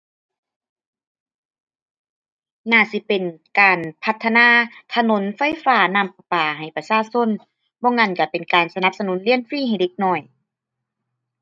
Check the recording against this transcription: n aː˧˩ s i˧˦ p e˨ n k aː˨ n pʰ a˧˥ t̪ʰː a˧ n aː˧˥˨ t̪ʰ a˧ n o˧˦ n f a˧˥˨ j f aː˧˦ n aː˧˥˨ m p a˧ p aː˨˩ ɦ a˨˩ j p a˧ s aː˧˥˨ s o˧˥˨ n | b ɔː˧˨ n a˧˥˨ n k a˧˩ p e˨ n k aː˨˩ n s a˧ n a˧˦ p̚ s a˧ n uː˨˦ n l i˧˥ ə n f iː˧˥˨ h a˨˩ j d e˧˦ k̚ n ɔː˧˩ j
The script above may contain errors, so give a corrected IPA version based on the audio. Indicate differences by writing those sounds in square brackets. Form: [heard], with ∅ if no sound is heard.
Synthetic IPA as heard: n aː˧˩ s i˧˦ p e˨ n k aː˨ n pʰ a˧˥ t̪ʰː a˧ n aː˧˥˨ t̪ʰ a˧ n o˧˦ n f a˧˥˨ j f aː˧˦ n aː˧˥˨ m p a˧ p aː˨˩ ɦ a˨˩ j p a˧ s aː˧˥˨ s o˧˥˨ n | b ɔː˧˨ [ŋ] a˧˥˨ n k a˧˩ p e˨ n k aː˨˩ n s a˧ n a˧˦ p̚ s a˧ n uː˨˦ n l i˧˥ ə n f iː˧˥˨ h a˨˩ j d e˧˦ k̚ n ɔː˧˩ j